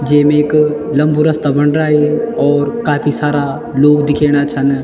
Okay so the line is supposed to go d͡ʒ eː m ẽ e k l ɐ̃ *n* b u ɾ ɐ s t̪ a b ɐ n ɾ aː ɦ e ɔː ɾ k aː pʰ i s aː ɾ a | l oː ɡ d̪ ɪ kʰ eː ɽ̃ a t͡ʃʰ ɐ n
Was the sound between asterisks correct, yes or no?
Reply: no